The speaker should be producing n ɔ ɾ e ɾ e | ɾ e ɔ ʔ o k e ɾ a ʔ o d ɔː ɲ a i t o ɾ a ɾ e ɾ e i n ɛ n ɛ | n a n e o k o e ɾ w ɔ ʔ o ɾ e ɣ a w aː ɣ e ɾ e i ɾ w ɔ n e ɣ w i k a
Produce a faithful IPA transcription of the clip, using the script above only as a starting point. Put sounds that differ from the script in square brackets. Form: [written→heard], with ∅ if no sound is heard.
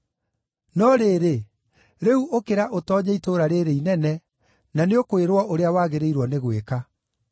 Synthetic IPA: n ɔ ɾ e ɾ e | ɾ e [ɔ→u] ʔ o k e ɾ a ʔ o [d→t] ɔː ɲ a i t o ɾ a ɾ e ɾ e i n ɛ n ɛ | n a n e o k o e ɾ w ɔ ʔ o ɾ e [ɣ→∅] a w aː ɣ e ɾ e i ɾ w ɔ n e ɣ w [i→e] k a

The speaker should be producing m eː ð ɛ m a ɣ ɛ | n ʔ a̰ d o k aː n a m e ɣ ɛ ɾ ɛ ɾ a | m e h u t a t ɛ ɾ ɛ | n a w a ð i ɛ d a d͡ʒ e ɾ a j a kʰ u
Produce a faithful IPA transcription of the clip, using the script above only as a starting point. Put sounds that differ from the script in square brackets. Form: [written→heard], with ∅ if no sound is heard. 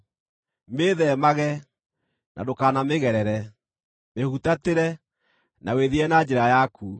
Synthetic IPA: m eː ð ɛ m a ɣ ɛ | n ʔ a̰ d o k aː n a m e ɣ ɛ ɾ ɛ ɾ [a→ɛ] | m e h u t a t [ɛ→e] ɾ ɛ | n a w [a→e] ð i ɛ [d→n] a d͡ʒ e ɾ a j a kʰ u

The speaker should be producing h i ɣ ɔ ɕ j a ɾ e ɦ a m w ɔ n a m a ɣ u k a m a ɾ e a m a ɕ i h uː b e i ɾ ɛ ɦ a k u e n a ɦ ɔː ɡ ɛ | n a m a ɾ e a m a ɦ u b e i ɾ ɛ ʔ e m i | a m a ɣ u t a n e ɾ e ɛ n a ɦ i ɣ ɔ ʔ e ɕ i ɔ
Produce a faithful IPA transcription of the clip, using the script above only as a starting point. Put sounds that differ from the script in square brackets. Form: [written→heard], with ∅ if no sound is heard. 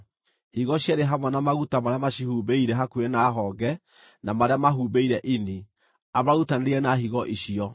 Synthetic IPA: h i ɣ ɔ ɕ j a ɾ e ɦ a m w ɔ n a m a ɣ u [k→t] a m a ɾ e a m a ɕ i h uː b e i ɾ ɛ ɦ a k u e n a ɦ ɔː ɡ ɛ | n a m a ɾ e a m a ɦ u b e i ɾ ɛ ʔ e [m→n] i | a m a ɣ u t a n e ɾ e ɛ n a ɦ i ɣ ɔ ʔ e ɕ i ɔ

